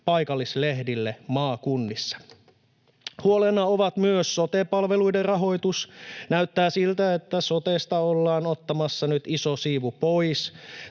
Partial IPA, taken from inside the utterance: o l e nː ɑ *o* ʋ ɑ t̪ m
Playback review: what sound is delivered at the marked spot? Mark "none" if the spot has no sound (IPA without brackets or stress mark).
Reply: o